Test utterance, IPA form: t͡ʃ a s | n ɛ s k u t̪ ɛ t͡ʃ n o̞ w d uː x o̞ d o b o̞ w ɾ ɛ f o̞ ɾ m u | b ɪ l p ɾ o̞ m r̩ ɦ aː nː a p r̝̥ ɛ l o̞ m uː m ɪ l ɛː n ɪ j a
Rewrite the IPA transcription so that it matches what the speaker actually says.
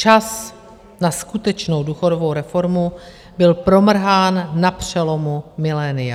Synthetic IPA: t͡ʃ a s | n a s k u t̪ ɛ t͡ʃ n o̞ w d uː x o̞ d o v o̞ w ɾ ɛ f o̞ ɾ m u | b ɪ l p ɾ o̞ m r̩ ɦ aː nː a p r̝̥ ɛ l o̞ m u m ɪ l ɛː n ɪ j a